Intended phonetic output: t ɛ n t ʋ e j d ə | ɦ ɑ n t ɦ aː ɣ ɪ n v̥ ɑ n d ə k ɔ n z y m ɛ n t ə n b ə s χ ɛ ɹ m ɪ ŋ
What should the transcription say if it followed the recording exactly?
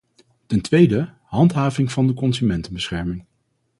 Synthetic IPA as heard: t ɛ n t ʋ e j d ə | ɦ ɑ n t ɦ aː v ɪ ŋ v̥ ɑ n d ə k ɔ n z y m ɛ n t ə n b ə s χ ɛ ɹ m ɪ ŋ